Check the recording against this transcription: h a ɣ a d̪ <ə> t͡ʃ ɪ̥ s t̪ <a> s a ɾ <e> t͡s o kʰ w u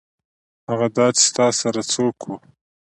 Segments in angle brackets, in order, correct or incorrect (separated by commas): incorrect, incorrect, incorrect